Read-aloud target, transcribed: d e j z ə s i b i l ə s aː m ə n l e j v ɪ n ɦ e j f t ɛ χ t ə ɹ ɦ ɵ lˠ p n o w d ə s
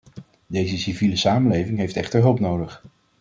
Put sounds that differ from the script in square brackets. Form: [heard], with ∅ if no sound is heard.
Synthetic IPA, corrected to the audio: d e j z ə s i [v] i l ə s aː m ə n l e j v ɪ [ŋ] ɦ e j f t ɛ χ t ə ɹ ɦ ɵ lˠ p n o w d ə [χ]